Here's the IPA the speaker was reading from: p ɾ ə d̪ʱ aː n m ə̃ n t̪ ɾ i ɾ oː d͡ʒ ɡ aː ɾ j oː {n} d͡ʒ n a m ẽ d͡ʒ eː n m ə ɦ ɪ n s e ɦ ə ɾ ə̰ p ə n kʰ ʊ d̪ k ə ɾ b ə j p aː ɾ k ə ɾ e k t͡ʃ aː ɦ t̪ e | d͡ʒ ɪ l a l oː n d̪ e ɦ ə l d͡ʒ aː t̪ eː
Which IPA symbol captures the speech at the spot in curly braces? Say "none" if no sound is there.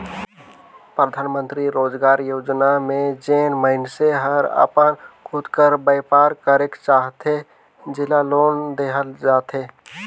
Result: none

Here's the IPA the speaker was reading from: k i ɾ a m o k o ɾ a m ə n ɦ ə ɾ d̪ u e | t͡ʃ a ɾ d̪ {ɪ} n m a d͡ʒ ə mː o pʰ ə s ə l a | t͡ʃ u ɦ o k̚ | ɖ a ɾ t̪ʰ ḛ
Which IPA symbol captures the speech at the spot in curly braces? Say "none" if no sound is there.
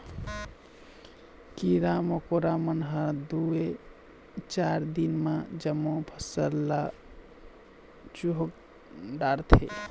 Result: i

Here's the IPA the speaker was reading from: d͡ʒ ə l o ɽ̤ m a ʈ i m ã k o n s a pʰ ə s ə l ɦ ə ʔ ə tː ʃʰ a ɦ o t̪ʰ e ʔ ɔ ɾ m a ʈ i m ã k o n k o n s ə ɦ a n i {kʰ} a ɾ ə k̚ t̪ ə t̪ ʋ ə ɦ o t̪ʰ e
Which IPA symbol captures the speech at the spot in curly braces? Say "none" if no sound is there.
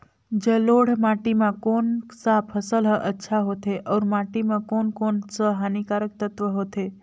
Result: k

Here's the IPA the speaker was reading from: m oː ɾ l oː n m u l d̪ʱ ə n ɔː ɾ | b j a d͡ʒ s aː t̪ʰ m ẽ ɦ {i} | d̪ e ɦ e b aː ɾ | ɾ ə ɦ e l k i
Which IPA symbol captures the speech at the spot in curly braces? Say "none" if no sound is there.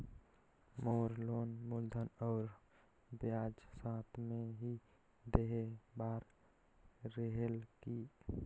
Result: i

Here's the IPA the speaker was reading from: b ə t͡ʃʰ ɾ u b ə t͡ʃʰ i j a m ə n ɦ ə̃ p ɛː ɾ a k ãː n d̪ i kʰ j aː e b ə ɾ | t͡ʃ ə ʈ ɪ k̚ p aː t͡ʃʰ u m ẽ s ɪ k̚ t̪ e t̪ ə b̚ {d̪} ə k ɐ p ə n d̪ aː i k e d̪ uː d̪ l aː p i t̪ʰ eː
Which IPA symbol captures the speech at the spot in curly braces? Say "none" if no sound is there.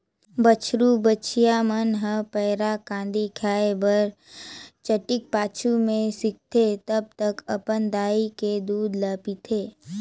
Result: t̪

